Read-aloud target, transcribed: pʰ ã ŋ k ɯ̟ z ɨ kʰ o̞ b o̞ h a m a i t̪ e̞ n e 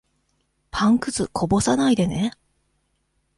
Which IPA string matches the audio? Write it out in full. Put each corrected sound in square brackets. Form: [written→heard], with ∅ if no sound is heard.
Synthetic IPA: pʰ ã ŋ k ɯ̟ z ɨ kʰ o̞ b o̞ [h→s] a [m→n] a i [t̪→d̪] e̞ n e